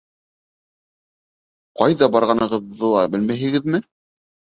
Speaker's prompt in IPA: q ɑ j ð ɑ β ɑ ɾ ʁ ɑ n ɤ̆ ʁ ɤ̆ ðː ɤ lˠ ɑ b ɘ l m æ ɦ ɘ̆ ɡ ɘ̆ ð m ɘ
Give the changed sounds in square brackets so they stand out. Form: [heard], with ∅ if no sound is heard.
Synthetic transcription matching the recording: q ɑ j ð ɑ [b] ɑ ɾ ʁ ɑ n ɤ̆ ʁ ɤ̆ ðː ɤ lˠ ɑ b ɘ l m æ ɦ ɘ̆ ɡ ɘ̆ ð m ɘ